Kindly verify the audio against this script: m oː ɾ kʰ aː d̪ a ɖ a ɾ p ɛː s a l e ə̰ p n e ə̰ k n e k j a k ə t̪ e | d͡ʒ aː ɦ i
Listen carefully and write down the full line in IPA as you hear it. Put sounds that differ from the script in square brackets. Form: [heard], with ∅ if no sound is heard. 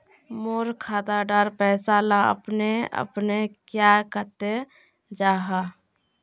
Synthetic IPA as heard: m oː ɾ kʰ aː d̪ a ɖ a ɾ p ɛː s a l [a] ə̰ p n e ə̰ [p] n e k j a k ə t̪ e | d͡ʒ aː ɦ [a]